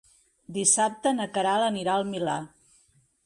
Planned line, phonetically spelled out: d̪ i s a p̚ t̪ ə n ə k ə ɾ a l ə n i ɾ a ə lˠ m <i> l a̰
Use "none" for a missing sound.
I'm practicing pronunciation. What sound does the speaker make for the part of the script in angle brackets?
i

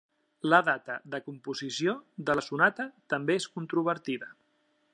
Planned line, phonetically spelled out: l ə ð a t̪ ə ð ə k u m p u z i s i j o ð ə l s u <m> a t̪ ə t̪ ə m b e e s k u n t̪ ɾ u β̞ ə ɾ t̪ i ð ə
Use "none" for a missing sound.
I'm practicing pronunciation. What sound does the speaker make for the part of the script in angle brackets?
n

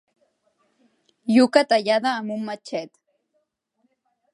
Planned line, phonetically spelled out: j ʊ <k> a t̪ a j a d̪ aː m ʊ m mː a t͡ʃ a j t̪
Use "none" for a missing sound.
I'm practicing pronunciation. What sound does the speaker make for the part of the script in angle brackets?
k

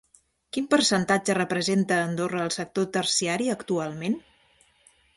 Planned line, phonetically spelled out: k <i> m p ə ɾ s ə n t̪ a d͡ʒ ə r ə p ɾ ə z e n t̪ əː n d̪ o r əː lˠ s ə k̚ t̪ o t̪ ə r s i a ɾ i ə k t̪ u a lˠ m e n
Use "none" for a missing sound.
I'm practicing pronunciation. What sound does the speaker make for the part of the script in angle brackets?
i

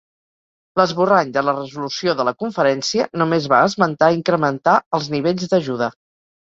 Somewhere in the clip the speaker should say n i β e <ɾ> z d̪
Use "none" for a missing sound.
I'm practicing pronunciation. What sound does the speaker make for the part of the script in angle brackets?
ʎ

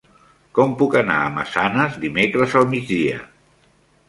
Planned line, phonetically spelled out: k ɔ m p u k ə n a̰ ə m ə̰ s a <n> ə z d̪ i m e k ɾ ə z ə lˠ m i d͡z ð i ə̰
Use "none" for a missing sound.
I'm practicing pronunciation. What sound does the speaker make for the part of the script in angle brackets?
n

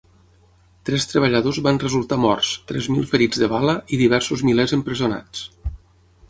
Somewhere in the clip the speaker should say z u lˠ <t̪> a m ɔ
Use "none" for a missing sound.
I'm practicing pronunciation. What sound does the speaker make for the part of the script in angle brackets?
t̪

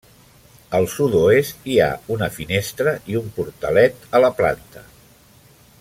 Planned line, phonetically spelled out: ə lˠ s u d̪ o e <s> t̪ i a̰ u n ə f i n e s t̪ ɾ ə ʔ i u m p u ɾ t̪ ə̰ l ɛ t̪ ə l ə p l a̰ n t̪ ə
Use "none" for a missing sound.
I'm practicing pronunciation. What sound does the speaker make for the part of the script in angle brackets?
s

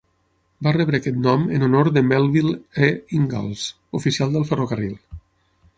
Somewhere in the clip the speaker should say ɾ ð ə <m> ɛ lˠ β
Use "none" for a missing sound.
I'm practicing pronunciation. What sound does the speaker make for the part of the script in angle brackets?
m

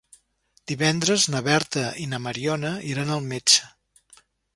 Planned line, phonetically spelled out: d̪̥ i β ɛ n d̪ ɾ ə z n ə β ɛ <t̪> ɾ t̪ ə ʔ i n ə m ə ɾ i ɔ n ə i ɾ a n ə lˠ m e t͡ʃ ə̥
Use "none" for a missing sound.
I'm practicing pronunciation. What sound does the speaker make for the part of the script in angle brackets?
none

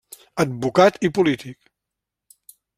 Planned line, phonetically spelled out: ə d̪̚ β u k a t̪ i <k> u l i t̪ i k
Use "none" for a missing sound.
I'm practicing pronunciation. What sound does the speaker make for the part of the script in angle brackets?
p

